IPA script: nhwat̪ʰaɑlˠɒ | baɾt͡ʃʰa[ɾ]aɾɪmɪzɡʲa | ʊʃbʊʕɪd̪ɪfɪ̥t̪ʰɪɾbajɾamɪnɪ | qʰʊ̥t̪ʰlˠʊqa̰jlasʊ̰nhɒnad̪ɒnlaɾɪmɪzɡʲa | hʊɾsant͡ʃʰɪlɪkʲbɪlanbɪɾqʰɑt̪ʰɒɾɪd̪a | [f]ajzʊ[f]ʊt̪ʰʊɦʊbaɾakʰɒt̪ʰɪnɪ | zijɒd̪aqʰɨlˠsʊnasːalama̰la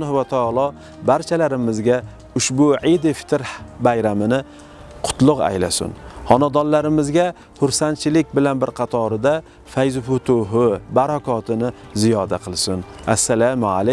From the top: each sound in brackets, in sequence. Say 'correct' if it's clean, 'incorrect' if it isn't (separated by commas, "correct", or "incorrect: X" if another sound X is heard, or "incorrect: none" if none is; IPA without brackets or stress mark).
incorrect: l, correct, correct